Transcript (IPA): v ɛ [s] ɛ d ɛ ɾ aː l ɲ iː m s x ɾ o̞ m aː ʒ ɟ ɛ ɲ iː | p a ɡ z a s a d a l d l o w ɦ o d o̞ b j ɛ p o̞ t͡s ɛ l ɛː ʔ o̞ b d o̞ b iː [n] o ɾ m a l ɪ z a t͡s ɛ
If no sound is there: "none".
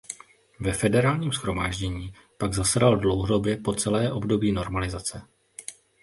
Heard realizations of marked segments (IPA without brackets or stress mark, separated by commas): f, n